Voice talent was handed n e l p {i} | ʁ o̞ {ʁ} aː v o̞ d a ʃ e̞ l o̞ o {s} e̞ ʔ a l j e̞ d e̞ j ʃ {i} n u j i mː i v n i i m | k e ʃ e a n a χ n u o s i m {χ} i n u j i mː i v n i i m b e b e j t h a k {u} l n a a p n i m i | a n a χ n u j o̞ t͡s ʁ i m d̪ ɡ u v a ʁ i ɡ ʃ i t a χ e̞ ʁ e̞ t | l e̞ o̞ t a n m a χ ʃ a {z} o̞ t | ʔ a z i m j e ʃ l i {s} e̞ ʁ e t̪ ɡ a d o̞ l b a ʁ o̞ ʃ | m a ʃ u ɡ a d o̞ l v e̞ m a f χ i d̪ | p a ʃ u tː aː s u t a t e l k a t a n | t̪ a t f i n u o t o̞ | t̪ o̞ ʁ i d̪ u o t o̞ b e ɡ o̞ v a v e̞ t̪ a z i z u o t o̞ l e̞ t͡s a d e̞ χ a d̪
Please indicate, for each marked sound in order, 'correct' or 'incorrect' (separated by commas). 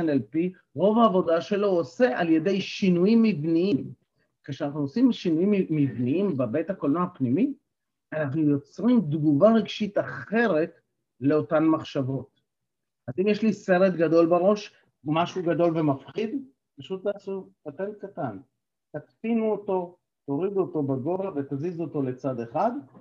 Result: correct, incorrect, correct, correct, incorrect, incorrect, incorrect, correct